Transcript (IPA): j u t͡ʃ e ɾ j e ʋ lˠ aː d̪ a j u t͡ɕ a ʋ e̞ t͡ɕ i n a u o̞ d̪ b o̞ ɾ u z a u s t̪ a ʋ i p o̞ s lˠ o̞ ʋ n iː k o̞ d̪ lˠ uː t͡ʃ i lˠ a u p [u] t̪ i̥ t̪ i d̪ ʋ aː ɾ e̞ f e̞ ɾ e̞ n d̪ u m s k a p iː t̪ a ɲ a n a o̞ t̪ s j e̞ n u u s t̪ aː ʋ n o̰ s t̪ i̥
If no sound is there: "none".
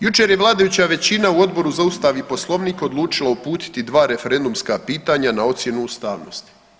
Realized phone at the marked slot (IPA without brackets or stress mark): uː